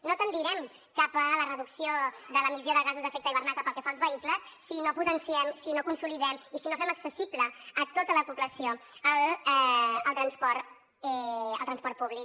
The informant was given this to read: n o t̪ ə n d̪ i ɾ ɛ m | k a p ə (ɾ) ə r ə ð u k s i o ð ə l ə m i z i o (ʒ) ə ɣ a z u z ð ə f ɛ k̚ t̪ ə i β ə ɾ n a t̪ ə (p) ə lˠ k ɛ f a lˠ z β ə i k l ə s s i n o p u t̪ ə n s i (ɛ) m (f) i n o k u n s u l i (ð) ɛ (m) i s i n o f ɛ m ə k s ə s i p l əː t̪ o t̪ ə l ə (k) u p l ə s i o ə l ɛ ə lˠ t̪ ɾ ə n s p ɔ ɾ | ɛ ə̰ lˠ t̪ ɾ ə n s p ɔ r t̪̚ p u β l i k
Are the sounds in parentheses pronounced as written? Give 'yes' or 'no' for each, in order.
no, no, yes, yes, no, yes, yes, no

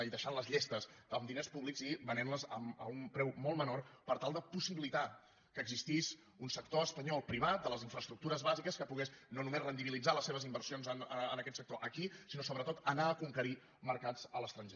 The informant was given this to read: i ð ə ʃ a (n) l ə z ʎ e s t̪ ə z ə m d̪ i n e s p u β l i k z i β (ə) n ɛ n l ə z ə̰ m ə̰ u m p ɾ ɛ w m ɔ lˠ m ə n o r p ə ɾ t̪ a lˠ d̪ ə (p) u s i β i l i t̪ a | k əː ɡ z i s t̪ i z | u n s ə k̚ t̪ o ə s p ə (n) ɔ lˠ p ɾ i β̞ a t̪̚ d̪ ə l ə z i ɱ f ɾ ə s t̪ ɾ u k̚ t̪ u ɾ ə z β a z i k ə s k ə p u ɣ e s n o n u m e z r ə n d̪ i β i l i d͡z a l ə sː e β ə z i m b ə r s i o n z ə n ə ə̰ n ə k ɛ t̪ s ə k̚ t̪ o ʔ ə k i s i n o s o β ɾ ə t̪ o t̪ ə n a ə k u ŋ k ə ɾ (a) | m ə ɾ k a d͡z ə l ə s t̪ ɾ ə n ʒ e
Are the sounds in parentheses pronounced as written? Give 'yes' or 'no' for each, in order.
yes, yes, yes, no, no

